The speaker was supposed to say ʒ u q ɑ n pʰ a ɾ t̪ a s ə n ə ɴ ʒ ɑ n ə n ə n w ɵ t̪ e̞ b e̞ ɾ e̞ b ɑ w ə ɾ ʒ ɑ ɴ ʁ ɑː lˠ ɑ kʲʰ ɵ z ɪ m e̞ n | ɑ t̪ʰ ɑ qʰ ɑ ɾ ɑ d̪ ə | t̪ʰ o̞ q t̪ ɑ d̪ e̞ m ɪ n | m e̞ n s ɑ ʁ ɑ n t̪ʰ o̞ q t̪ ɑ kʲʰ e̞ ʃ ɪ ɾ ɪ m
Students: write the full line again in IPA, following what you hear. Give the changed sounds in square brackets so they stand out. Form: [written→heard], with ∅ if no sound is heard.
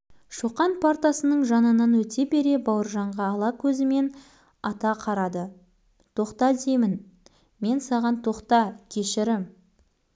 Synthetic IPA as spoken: [ʒ→ʃ] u q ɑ n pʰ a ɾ t̪ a s ə n ə ɴ ʒ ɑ n ə n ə n w ɵ t̪ e̞ b e̞ ɾ e̞ b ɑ w ə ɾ ʒ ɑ ɴ ʁ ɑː lˠ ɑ kʲʰ ɵ z ɪ m e̞ n | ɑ [t̪ʰ→t̪] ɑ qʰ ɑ ɾ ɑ d̪ ə | t̪ʰ o̞ q t̪ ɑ d̪ e̞ m ɪ n | m e̞ n s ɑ ʁ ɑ n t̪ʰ o̞ q t̪ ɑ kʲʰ e̞ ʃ ɪ ɾ ɪ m